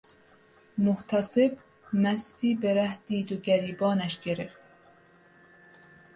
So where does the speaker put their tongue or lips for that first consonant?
lips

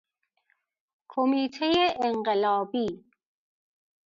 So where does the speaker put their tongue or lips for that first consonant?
velum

